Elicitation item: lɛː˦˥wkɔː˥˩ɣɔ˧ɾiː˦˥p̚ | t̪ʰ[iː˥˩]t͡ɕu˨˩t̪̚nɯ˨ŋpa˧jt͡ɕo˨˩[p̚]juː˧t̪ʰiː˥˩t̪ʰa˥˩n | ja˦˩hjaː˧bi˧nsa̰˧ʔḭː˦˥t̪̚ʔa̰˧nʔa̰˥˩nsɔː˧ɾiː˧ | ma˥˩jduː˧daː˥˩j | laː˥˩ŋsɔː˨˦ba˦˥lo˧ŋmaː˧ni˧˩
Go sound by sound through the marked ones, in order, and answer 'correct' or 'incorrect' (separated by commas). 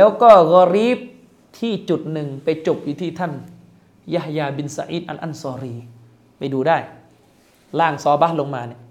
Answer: correct, correct